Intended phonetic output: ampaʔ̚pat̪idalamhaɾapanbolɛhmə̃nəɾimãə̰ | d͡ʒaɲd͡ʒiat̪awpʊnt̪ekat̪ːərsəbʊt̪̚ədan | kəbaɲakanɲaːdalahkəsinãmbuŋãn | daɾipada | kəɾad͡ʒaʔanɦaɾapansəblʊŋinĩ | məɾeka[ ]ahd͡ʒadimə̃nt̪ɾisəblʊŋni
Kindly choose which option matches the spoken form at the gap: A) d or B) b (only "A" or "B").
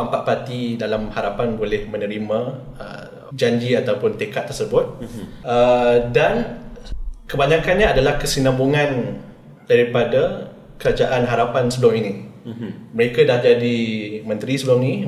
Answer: A